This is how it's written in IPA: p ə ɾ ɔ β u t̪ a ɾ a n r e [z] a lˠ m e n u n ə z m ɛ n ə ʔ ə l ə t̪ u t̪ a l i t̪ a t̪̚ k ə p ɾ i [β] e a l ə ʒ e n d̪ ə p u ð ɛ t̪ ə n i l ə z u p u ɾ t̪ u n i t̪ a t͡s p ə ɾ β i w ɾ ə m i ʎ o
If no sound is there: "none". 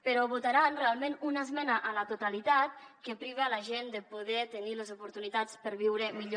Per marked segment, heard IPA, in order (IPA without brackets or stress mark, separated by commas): none, β